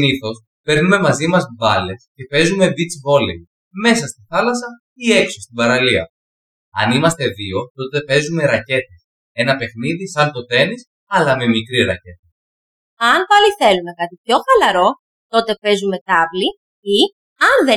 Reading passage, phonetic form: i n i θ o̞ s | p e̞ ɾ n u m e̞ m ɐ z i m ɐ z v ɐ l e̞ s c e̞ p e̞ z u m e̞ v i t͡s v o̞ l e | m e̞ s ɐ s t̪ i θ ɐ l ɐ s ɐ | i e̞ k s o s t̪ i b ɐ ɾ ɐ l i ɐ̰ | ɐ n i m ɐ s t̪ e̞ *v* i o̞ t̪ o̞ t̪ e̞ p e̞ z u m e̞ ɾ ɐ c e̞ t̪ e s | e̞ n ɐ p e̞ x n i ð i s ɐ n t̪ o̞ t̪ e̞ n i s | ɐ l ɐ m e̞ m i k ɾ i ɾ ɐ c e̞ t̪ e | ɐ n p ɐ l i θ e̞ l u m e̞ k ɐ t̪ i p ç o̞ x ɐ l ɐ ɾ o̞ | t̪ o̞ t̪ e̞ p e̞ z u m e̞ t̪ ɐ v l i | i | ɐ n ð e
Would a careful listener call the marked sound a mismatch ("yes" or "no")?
yes